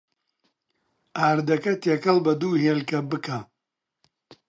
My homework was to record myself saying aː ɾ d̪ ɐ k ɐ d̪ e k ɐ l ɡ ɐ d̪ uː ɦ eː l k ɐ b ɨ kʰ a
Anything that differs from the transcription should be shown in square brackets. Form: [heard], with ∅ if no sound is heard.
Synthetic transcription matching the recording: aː ɾ d̪ ɐ k ɐ [t̪] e k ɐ l [b] ɐ d̪ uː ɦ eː l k ɐ b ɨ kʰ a